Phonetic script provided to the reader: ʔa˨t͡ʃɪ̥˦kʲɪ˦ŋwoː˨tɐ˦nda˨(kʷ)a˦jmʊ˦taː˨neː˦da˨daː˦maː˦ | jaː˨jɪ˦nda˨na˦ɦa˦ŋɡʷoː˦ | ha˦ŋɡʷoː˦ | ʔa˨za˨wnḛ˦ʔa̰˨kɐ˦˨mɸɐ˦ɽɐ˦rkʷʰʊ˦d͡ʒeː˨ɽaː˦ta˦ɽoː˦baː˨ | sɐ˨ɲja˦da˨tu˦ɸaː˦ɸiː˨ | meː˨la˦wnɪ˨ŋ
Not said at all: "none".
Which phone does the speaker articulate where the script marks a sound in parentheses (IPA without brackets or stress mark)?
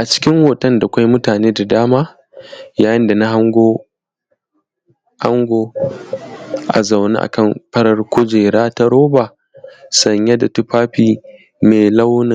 kʷ